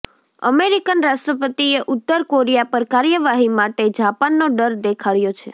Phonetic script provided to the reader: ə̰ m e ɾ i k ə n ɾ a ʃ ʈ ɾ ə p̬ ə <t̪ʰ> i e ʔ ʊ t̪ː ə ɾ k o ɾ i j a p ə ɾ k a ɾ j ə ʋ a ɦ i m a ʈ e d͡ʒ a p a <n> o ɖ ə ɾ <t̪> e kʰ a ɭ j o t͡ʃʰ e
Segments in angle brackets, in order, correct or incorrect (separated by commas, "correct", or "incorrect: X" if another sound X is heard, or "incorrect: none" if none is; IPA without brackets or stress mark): incorrect: t̪, incorrect: nː, incorrect: d̪